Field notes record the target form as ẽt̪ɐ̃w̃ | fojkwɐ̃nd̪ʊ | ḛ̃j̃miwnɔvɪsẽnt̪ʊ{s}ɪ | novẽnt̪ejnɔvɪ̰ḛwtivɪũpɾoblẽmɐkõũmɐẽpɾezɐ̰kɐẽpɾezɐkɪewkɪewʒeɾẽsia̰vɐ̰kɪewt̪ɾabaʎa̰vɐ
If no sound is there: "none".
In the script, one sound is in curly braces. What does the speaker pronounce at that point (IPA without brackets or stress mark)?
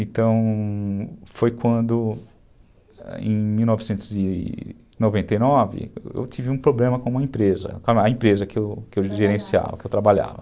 z